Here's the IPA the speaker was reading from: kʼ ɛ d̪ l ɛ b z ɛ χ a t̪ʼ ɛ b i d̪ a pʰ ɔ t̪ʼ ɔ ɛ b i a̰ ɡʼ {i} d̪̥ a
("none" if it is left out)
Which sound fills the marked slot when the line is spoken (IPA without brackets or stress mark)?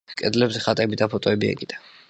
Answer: i